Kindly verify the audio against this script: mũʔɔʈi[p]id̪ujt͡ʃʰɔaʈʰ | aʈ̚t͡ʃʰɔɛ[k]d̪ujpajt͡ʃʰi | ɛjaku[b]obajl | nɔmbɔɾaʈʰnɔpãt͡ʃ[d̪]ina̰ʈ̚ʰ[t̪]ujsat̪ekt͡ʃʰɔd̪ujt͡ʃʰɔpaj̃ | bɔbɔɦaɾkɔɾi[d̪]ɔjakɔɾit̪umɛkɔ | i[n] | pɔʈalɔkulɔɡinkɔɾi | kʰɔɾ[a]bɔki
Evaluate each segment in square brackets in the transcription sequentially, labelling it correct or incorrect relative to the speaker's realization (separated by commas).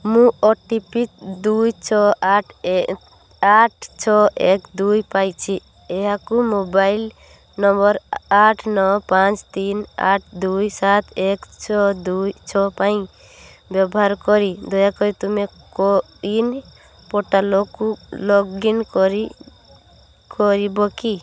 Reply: correct, correct, incorrect, incorrect, incorrect, correct, correct, incorrect